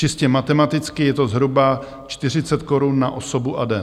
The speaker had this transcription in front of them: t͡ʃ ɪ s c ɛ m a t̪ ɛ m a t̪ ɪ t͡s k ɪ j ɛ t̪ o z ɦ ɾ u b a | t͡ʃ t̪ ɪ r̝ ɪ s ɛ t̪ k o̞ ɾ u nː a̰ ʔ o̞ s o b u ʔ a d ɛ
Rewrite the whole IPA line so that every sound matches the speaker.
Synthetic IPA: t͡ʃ ɪ s c ɛ m a t̪ ɛ m a t̪ ɪ t͡s k ɪ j ɛ t̪ o z ɦ ɾ u b a | t͡ʃ t̪ ɪ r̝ ɪ t͡s ɛ t̪ k o̞ ɾ u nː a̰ ʔ o̞ s o b u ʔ a d ɛ